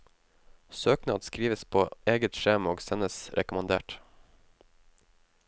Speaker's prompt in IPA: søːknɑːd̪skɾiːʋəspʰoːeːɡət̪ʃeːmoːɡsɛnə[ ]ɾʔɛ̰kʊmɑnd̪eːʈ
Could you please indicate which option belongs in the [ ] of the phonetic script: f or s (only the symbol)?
s